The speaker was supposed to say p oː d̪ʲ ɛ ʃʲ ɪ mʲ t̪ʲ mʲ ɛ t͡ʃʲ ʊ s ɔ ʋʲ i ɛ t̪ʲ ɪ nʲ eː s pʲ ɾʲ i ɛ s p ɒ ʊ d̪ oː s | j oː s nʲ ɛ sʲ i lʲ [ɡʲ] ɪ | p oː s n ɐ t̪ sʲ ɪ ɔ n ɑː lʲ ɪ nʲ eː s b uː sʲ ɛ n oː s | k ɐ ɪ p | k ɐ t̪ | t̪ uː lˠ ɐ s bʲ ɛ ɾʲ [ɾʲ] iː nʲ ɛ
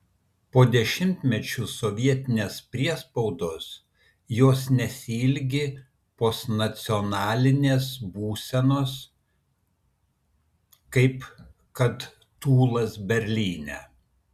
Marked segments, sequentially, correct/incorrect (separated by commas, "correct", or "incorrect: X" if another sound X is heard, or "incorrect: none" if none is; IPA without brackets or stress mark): correct, incorrect: lʲ